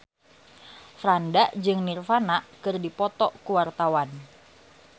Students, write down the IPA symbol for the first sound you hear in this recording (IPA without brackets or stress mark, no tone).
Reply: f